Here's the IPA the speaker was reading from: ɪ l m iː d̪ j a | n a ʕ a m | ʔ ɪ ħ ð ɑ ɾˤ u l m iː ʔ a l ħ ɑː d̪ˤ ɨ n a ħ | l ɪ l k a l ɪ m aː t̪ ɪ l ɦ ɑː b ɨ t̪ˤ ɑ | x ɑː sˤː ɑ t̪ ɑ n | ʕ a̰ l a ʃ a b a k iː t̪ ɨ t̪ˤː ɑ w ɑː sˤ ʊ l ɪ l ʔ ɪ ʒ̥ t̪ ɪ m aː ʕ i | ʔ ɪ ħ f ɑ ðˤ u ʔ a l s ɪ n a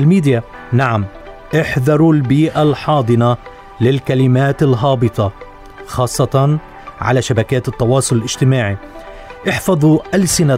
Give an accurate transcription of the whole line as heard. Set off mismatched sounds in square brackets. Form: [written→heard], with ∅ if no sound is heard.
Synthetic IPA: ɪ l m iː d̪ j a | n a ʕ a m | ʔ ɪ ħ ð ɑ ɾˤ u l [m→b] iː ʔ a l ħ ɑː d̪ˤ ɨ n a [ħ→∅] | l ɪ l k a l ɪ m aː t̪ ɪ l ɦ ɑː b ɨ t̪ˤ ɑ | x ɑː sˤː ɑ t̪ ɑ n | ʕ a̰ l a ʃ a b a k [iː→aː] t̪ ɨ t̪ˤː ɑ w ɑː sˤ ʊ l ɪ l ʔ ɪ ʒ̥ t̪ ɪ m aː ʕ i | ʔ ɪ ħ f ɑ ðˤ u ʔ a l s ɪ n a